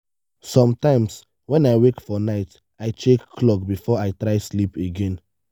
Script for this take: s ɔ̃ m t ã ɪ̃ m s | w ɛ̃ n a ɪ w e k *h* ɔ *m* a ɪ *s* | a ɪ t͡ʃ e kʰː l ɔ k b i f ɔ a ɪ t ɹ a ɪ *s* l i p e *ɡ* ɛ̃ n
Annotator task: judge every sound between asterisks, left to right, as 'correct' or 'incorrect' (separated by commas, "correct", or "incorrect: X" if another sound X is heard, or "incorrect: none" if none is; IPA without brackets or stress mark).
incorrect: f, incorrect: n, incorrect: t, correct, correct